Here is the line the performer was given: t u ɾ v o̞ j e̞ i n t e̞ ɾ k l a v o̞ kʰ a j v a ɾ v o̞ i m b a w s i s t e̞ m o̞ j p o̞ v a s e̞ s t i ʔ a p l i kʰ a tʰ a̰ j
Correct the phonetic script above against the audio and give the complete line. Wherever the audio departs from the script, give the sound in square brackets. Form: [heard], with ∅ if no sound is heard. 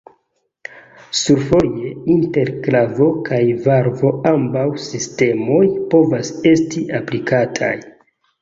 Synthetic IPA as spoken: [s] u ɾ [f] o̞ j e̞ i n t e̞ ɾ k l a v o̞ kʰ a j v a ɾ v o̞ [a] m b a w s i s t e̞ m o̞ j p o̞ v a s e̞ s t i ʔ a p l i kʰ a tʰ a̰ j